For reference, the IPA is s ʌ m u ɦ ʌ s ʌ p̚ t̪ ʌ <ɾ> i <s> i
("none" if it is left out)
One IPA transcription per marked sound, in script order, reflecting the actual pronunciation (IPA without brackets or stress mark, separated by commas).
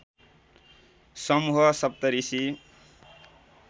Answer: ɾ, s